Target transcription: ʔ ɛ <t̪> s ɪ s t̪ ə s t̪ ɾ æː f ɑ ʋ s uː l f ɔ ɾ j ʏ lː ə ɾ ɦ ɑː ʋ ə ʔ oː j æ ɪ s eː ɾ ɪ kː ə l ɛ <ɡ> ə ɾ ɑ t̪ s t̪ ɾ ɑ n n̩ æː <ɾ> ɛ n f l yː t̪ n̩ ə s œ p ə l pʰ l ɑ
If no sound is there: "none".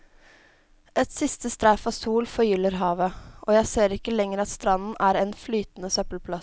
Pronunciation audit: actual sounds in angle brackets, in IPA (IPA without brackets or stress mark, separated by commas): t̪, ŋ, ɾ